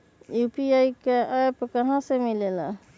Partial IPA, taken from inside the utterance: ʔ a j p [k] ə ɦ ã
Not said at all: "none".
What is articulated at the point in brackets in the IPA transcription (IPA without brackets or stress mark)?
k